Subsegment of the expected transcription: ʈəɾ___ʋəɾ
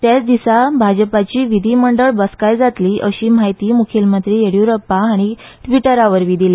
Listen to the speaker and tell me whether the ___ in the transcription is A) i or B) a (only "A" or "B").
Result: B